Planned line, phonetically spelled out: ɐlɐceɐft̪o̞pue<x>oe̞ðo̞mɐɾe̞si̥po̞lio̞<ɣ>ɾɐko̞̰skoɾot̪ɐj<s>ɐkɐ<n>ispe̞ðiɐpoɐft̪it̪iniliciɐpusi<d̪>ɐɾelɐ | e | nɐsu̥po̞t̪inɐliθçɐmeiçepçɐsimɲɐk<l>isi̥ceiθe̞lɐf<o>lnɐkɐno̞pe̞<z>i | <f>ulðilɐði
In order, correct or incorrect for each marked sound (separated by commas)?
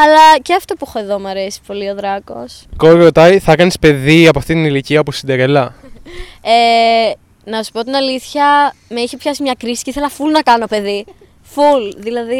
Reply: correct, incorrect, incorrect, correct, correct, incorrect, incorrect, incorrect, correct